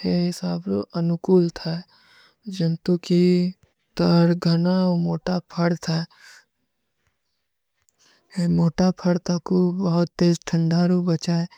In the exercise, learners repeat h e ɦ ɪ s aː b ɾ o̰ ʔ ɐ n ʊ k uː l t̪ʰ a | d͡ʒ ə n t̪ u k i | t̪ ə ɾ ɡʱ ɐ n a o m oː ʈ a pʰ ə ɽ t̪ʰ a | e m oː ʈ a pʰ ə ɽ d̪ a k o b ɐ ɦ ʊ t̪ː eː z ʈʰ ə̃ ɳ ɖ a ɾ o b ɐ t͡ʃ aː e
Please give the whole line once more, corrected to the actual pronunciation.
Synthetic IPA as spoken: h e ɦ ɪ s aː b ɾ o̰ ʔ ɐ n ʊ k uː l t̪ʰ a | d͡ʒ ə n t̪ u k i | t̪ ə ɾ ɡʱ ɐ n a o m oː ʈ a pʰ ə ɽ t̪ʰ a | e m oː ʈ a pʰ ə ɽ t̪ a k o b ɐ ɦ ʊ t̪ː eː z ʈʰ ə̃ ɳ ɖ a ɾ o b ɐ t͡ʃ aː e